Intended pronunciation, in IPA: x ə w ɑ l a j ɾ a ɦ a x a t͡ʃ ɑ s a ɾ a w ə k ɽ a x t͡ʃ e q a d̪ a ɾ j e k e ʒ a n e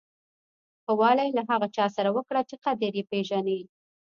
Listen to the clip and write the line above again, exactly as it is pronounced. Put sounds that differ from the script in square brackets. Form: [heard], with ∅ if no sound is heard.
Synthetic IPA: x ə w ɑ l a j [l] a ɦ a [ɣ] a t͡ʃ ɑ s a ɾ a w ə k ɽ a [∅] t͡ʃ e q a d̪ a ɾ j e [p] e ʒ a n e